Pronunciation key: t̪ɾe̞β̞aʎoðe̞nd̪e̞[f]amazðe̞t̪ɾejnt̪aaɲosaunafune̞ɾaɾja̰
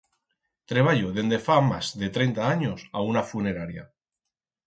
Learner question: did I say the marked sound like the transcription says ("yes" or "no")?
yes